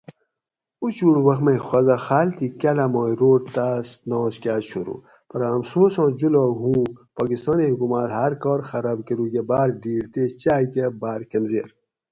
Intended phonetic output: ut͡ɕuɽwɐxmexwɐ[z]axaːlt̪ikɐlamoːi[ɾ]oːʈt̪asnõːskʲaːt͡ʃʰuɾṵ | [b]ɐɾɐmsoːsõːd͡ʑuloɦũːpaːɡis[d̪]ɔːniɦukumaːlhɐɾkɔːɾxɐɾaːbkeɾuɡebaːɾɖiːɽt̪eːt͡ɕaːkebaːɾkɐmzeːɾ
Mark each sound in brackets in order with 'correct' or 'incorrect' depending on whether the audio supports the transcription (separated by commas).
correct, correct, incorrect, incorrect